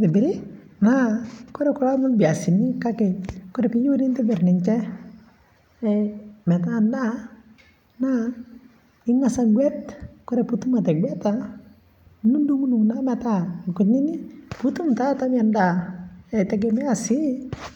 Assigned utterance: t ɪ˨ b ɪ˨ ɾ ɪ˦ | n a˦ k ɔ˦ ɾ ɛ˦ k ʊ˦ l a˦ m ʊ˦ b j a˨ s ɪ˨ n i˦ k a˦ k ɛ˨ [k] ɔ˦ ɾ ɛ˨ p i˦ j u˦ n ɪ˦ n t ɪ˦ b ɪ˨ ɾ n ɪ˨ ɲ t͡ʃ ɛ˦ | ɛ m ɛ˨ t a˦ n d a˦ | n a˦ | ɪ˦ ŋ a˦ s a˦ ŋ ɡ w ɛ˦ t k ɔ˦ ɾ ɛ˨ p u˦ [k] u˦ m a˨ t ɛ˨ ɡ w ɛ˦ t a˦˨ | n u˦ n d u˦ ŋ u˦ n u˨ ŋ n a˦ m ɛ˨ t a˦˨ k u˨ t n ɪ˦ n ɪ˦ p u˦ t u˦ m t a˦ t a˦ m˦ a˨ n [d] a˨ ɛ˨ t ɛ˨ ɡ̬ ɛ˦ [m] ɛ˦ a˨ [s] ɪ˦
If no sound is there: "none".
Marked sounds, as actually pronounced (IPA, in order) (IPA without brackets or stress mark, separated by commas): k, t, d, m, s